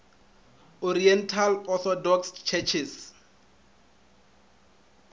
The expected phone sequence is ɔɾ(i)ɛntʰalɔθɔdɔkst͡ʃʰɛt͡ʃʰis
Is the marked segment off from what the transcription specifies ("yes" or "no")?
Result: no